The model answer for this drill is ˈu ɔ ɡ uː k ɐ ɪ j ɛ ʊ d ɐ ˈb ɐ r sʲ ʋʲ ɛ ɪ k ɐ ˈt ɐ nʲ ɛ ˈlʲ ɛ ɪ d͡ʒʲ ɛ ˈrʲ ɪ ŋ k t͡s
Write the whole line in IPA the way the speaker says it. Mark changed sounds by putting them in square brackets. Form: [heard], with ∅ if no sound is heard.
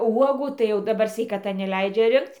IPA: ˈu ɔ ɡ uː [t] ɐ ɪ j ɛ ʊ d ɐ ˈb ɐ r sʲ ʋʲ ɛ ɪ k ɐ ˈt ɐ nʲ ɛ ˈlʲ ɛ ɪ d͡ʒʲ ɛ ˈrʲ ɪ ŋ k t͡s